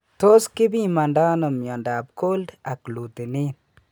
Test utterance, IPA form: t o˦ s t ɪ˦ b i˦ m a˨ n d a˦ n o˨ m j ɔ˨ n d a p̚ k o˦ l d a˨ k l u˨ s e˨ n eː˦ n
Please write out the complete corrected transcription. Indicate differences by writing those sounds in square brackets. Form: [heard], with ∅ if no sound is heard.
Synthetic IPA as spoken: t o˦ s [k] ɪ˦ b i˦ m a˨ n d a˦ n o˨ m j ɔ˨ n d a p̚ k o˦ l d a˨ k l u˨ [t] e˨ n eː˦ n